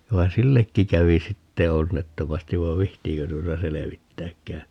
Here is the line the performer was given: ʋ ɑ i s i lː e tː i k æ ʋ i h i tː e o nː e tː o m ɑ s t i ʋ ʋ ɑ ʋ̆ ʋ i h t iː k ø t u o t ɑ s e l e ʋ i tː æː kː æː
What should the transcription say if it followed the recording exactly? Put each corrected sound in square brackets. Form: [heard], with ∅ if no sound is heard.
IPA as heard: ʋ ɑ i s i lː e [kː] i k æ ʋ i [s] i tː e o nː e tː o m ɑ s t i ʋ ʋ ɑ ʋ̆ ʋ i h t iː k ø t u o t ɑ s e l e ʋ i tː æː kː æː